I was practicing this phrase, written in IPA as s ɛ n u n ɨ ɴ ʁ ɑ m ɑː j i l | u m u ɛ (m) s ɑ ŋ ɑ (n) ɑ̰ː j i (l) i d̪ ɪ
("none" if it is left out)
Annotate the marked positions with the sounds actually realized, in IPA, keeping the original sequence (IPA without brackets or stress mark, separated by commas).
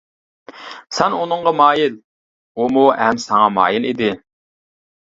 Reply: m, m, l